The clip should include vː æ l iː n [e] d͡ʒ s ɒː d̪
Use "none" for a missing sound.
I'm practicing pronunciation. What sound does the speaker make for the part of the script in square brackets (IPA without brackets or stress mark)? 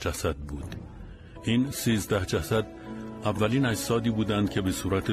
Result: æ